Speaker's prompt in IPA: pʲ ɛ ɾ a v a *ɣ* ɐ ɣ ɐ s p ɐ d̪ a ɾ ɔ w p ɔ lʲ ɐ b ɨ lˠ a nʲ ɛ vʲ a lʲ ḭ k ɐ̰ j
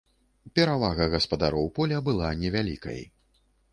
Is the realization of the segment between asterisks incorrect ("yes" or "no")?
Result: no